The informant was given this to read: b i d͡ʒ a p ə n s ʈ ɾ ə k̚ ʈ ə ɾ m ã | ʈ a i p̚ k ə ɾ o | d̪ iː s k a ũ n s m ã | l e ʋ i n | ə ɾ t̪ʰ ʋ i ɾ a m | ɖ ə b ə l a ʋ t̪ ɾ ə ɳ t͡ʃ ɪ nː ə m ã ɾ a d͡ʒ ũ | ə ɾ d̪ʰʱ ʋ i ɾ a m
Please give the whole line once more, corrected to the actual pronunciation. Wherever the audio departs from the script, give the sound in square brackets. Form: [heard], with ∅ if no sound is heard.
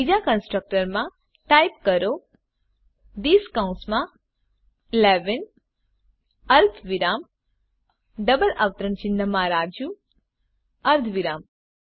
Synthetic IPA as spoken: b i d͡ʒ a [k] ə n s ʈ ɾ ə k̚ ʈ ə ɾ m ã | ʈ a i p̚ k ə ɾ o | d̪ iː s k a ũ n s m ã | l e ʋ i n | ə ɾ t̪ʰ ʋ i ɾ a m | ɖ ə b ə l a ʋ t̪ ɾ ə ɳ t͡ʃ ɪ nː ə m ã ɾ a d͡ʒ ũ | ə ɾ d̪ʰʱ ʋ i ɾ a m